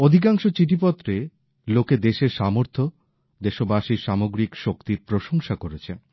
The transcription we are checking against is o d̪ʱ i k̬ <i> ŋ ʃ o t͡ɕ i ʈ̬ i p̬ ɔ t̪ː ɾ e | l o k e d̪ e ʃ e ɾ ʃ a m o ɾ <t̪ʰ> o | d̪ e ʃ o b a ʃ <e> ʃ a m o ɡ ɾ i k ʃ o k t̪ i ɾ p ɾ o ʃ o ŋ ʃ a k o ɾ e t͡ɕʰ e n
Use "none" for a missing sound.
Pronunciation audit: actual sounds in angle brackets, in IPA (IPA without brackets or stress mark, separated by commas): a, t̪ʰ, i